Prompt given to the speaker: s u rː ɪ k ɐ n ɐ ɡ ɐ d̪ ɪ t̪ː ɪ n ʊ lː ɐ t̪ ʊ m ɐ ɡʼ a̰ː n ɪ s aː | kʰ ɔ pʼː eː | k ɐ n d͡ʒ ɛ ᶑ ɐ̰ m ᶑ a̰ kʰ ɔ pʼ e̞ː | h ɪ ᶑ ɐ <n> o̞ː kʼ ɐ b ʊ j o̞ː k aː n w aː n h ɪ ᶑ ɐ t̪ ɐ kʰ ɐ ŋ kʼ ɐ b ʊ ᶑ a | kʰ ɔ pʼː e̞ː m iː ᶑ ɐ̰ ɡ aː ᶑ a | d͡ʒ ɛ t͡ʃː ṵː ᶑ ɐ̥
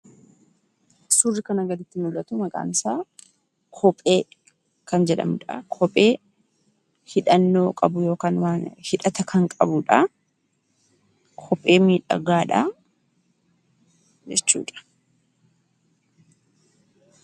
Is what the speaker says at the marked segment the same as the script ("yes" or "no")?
no